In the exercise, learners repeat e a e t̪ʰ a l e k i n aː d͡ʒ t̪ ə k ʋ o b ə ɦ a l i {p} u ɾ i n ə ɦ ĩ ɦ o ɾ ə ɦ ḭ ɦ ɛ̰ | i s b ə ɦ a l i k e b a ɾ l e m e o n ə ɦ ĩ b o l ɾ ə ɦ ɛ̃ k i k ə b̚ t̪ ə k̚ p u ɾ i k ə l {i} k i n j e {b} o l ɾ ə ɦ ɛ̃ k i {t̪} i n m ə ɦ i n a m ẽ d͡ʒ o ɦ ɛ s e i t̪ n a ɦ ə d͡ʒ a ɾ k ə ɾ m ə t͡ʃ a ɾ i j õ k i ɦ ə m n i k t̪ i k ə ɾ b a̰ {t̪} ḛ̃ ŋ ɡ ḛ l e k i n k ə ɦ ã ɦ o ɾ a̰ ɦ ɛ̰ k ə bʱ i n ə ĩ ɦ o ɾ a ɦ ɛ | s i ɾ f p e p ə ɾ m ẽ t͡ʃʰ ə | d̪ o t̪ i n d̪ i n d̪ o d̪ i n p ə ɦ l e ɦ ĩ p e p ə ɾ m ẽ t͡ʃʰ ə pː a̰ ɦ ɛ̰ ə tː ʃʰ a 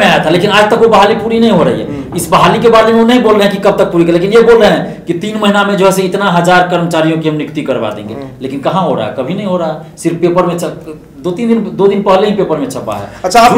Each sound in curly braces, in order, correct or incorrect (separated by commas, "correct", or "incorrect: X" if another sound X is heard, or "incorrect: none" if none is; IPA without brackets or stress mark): correct, incorrect: e, correct, correct, incorrect: d̪